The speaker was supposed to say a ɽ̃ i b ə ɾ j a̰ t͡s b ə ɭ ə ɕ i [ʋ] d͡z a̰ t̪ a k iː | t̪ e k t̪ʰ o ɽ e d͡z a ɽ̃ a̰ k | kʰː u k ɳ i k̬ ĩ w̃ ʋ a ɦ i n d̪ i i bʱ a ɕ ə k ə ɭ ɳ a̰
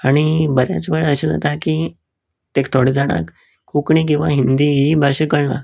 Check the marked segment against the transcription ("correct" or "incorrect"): incorrect